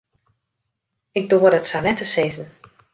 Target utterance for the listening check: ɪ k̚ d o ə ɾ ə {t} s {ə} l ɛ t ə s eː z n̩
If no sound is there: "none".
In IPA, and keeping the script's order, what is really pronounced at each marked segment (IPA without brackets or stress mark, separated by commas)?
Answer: t, a